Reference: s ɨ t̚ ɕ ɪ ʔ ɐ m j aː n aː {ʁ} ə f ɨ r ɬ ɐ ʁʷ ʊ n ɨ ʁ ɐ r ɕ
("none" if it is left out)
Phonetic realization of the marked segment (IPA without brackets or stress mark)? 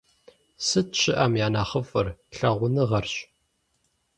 χ